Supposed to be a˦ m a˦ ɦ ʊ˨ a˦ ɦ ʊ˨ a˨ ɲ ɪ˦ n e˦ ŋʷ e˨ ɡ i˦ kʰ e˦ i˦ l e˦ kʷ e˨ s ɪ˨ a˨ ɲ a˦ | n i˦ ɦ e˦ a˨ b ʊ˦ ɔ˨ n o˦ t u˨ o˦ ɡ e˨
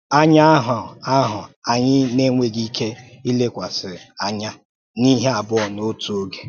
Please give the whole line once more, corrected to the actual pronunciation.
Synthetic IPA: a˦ ɲ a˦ ɦ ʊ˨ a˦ ɦ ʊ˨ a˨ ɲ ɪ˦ n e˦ ŋʷ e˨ ɡ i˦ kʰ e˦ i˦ l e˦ kʷ a˨ s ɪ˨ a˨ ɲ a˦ | n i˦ ɦ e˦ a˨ b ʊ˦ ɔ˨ n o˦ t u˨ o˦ ɡ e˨